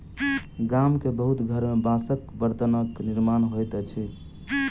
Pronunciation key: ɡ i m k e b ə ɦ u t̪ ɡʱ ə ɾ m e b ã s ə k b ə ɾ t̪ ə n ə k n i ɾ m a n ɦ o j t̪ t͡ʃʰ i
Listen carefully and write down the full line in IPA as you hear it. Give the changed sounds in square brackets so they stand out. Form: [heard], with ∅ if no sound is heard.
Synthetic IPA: ɡ [a] m k e b ə ɦ u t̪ ɡʱ ə ɾ m e b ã s ə k b ə ɾ t̪ ə n ə k n i ɾ m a n ɦ o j t̪ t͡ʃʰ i